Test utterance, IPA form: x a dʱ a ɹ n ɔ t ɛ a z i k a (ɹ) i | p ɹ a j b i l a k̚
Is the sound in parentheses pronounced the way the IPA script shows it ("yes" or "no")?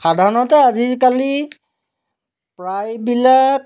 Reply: no